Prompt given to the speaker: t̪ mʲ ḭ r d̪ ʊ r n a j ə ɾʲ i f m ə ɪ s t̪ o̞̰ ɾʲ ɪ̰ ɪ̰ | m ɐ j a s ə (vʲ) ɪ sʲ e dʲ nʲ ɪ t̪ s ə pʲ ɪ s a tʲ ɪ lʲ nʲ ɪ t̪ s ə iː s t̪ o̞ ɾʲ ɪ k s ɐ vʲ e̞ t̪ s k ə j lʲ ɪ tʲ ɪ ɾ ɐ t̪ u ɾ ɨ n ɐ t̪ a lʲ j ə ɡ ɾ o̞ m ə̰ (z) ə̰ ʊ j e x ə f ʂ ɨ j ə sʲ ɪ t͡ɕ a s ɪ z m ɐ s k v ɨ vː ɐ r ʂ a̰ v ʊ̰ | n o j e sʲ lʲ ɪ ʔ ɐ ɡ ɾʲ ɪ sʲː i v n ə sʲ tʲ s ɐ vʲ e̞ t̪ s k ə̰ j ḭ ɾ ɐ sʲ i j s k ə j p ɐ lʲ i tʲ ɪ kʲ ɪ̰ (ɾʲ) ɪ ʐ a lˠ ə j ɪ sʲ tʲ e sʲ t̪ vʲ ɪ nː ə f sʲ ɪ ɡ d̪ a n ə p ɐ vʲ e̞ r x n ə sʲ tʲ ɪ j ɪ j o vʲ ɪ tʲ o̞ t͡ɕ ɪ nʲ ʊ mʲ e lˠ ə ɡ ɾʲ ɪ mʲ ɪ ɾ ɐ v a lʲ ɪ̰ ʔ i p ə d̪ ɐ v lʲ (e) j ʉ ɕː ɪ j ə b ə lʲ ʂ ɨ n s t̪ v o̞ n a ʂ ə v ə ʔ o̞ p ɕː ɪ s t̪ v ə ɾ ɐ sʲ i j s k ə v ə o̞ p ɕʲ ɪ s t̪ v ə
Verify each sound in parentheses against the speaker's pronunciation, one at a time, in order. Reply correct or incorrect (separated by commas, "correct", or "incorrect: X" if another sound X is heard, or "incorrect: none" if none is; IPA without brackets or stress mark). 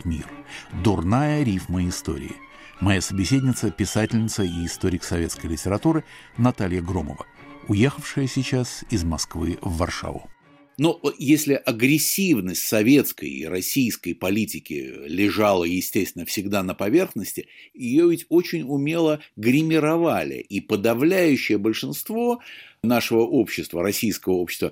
incorrect: bʲ, incorrect: v, incorrect: lʲ, incorrect: æ